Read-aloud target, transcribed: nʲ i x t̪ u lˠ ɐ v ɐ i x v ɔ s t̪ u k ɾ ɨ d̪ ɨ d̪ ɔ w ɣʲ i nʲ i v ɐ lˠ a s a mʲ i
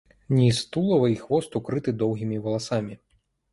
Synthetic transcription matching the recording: nʲ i s t̪ u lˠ ɐ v ɐ i x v ɔ s t̪ u k ɾ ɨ t̪ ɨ d̪ ɔ w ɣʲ i mʲ i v ɐ lˠ a s a mʲ i

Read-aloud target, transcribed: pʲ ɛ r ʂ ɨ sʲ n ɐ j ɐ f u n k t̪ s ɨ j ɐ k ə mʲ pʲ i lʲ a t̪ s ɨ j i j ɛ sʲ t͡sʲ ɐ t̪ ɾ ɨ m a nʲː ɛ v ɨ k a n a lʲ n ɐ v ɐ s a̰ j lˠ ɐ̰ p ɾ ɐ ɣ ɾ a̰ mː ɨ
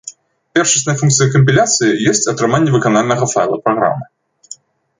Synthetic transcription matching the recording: pʲ ɛ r ʂ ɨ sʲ n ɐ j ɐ f u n k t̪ s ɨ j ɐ k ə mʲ pʲ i lʲ a t̪ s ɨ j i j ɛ sʲ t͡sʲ ɐ t̪ ɾ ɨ m a nʲː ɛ v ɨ k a n a lʲ n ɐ ɣ ɐ f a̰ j lˠ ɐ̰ p ɾ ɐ ɣ ɾ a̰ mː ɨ

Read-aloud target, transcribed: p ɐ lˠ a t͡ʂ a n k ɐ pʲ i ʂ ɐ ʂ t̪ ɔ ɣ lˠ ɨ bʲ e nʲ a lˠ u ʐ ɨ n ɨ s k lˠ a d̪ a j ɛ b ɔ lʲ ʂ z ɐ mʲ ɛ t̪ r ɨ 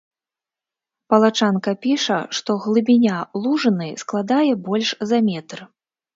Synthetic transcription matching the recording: p ɐ lˠ a t͡ʂ a n k ɐ pʲ i ʂ ɐ ʂ t̪ ɔ ɣ lˠ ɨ bʲ i nʲ a lˠ u ʐ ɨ n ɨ s k lˠ a d̪ a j ɛ b ɔ lʲ ʂ z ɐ mʲ ɛ t̪ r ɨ

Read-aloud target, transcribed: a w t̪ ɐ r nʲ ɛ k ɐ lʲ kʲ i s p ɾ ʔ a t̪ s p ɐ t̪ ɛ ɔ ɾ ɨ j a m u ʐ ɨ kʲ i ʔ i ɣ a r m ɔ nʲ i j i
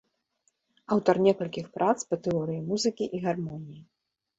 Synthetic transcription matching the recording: a w t̪ ɐ r nʲ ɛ k ɐ lʲ kʲ i x p ɾ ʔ a t̪ s p ɐ t̪ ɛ ɔ ɾ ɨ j i m u z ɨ kʲ i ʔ i ɣ a r m ɔ nʲ i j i

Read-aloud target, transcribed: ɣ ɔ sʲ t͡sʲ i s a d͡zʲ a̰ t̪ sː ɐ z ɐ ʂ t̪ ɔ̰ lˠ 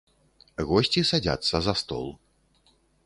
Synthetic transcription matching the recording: ɣ ɔ sʲ t͡sʲ i s a d͡zʲ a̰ t̪ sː ɐ z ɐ s t̪ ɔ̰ lˠ

